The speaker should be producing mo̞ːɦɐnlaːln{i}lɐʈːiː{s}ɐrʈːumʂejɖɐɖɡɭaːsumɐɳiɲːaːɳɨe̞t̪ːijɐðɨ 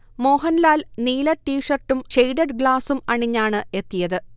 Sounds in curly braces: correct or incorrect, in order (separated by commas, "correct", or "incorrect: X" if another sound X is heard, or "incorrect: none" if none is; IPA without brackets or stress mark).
incorrect: iː, incorrect: ʂ